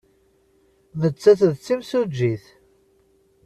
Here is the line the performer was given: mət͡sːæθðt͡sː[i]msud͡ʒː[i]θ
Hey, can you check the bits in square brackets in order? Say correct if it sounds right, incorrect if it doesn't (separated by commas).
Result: correct, correct